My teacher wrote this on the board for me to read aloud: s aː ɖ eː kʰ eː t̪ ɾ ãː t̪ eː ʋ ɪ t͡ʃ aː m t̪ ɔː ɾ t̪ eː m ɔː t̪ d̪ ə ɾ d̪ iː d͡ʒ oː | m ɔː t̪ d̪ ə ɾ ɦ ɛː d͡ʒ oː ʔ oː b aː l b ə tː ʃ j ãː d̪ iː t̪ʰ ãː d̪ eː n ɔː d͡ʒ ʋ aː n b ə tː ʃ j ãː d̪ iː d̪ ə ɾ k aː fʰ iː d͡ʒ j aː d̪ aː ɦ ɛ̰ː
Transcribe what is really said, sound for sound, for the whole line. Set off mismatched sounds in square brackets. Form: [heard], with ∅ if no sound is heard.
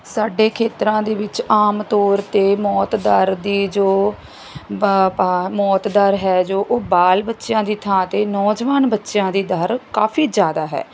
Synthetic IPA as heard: s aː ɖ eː kʰ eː t̪ ɾ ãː [d̪] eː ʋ ɪ t͡ʃ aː m t̪ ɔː ɾ t̪ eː m ɔː t̪ d̪ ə ɾ d̪ iː d͡ʒ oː | m ɔː t̪ d̪ ə ɾ ɦ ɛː d͡ʒ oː ʔ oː b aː l b ə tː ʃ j ãː d̪ iː t̪ʰ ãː [t̪] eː n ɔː d͡ʒ ʋ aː n b ə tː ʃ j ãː d̪ iː d̪ ə ɾ k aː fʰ iː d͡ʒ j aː d̪ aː ɦ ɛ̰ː